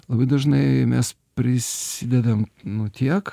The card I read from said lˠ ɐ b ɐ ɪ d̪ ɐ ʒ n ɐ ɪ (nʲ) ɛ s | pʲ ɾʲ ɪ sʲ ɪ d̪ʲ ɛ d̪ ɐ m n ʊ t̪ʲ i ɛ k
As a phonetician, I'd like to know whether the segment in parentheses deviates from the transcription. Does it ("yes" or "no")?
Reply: yes